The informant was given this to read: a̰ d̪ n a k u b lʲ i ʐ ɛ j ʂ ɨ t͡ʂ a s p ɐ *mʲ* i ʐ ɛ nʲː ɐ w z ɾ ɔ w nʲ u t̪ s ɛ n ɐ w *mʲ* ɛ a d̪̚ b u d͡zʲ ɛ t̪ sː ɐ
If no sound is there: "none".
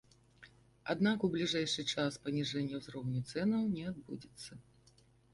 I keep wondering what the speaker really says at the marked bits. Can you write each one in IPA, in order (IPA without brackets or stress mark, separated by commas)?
nʲ, nʲ